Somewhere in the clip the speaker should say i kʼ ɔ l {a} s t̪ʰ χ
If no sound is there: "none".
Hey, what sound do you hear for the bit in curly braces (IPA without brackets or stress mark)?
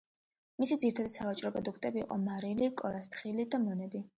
a